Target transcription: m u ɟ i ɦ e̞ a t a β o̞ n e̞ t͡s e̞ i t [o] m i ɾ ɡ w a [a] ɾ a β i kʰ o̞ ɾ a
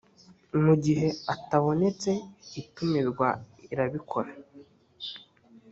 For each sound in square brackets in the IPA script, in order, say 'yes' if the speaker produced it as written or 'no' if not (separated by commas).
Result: no, no